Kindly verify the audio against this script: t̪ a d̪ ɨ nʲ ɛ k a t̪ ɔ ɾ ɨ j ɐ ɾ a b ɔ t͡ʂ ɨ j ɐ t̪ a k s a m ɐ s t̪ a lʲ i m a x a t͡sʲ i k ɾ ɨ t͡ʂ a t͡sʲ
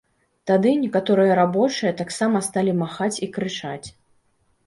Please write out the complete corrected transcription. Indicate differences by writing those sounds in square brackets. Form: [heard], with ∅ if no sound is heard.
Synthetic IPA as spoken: t̪ a d̪ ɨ nʲ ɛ k a t̪ ɔ ɾ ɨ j ɐ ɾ a b ɔ t͡ʂ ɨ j ɐ t̪ a k s a m ɐ s t̪ a lʲ i m a x a t͡sʲ i k ɾ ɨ t͡ʂ a t͡sʲ